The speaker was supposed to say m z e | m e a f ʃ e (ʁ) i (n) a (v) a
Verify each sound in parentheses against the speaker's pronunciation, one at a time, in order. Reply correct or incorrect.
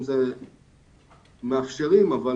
correct, incorrect: m, correct

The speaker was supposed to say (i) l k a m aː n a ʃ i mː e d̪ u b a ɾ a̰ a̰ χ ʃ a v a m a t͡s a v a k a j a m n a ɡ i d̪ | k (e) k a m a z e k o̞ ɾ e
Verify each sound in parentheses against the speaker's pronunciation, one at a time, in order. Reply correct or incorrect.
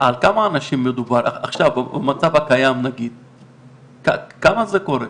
incorrect: a, incorrect: a

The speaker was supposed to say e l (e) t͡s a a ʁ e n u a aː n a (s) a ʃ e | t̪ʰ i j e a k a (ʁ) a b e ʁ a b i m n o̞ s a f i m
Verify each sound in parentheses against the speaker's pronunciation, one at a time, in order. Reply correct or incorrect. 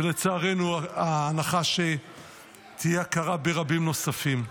correct, incorrect: χ, correct

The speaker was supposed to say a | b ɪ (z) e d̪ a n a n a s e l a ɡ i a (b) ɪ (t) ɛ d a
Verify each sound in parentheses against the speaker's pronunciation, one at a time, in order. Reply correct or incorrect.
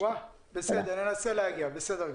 incorrect: s, correct, incorrect: s

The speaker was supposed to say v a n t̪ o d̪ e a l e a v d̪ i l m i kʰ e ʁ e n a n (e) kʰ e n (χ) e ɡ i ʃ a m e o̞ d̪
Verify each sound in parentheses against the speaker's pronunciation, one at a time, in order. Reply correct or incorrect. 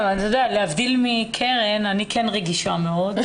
incorrect: i, incorrect: ʁ

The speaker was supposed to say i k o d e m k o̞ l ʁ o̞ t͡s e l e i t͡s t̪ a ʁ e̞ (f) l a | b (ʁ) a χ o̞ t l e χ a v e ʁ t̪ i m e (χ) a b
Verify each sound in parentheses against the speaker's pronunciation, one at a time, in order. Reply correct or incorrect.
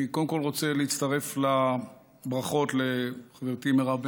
correct, correct, incorrect: ʁ

